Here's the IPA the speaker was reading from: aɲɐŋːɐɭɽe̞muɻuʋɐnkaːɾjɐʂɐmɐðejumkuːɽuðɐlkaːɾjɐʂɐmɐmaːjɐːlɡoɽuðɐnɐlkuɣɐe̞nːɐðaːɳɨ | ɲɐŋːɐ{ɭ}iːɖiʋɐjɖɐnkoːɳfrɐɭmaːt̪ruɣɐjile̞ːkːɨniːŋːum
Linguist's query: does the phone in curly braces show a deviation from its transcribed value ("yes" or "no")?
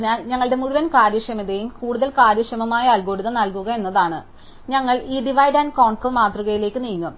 no